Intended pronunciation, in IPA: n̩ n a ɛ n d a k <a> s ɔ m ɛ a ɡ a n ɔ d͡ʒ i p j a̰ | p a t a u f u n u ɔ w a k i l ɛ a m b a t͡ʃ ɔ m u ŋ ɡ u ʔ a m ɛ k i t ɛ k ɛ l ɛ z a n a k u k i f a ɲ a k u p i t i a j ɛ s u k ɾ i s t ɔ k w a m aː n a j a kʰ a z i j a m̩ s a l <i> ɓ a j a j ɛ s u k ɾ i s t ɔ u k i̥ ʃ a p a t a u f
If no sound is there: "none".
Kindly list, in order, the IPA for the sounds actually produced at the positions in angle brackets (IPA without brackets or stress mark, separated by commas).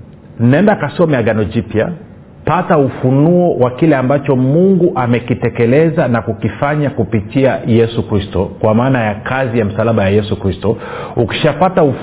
a, a